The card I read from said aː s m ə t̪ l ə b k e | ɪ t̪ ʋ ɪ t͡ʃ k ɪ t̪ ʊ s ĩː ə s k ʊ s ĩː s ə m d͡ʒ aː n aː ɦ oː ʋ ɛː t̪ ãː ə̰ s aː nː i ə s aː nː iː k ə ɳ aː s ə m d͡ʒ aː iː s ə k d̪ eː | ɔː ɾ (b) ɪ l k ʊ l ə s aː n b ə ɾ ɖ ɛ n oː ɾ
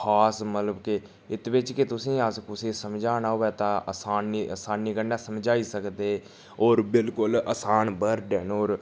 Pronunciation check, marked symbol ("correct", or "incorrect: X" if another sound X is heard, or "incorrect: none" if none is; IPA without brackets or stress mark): correct